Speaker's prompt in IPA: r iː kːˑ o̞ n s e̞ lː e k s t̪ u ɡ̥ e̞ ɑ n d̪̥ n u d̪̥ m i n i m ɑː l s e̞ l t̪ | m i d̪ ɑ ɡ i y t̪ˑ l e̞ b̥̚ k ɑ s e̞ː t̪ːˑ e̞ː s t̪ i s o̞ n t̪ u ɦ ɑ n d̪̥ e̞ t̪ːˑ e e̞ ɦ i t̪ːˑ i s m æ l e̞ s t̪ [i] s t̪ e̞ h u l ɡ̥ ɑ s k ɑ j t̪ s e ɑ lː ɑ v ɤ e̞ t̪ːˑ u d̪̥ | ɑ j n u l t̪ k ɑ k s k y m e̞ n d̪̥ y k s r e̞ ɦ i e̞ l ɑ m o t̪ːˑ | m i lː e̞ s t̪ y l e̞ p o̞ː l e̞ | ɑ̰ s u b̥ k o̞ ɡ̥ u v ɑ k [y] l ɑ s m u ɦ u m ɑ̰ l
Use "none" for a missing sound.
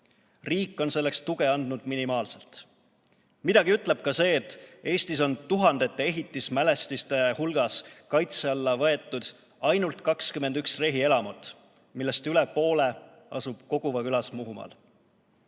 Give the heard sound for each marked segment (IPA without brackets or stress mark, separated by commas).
i, y